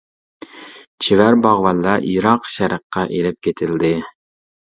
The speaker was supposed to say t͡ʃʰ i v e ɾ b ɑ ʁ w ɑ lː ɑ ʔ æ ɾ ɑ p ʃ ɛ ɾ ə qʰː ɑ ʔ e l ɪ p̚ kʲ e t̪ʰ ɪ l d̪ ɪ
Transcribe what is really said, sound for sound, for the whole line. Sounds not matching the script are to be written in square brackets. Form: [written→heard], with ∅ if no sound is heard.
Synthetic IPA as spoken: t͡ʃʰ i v [e→æ] ɾ b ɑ ʁ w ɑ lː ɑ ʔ [æ→i] ɾ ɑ [p→q] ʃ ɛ ɾ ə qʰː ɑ ʔ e l ɪ p̚ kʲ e t̪ʰ ɪ l d̪ ɪ

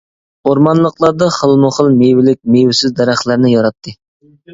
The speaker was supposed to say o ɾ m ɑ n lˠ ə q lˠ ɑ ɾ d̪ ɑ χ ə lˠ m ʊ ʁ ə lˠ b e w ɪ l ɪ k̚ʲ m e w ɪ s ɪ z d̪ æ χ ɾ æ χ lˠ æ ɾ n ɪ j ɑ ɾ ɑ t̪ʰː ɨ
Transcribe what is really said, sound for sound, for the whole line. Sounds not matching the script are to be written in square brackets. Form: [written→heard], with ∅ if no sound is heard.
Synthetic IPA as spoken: o ɾ m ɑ n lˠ ə q lˠ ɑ ɾ d̪ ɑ χ ə lˠ m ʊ [ʁ→χ] ə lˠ [b→m] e w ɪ l ɪ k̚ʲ m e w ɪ s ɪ z d̪ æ [χ→∅] ɾ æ χ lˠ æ ɾ n ɪ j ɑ ɾ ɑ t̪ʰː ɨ

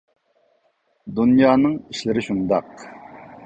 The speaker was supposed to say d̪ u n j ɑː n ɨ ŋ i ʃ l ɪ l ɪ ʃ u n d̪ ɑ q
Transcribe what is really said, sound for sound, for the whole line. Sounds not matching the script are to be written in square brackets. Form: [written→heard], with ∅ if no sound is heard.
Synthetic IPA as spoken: d̪ u n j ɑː n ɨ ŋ i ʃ l ɪ [l→ɾ] ɪ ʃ u n d̪ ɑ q

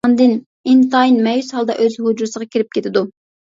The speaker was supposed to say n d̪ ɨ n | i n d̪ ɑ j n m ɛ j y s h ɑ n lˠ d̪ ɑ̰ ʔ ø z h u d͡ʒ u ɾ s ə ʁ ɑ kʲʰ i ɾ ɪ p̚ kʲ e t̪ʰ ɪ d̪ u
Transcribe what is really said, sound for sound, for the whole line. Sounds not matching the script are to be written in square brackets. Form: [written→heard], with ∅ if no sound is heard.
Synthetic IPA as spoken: n d̪ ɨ n | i n [d̪→t̪] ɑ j n m ɛ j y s h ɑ [n→∅] lˠ d̪ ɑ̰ ʔ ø z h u d͡ʒ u ɾ s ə ʁ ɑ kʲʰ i ɾ ɪ p̚ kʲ e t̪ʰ ɪ d̪ u

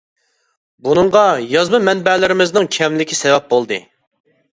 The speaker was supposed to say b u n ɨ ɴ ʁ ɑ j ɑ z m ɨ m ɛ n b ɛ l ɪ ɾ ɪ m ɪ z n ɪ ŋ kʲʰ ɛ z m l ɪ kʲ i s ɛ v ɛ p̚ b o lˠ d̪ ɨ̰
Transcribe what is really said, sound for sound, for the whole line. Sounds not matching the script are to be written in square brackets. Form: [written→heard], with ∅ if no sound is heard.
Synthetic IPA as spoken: b u n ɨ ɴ ʁ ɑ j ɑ z m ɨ m ɛ n b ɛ l ɪ ɾ ɪ m ɪ z n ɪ ŋ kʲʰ ɛ [z→∅] m l ɪ kʲ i s ɛ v ɛ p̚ b o lˠ d̪ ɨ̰

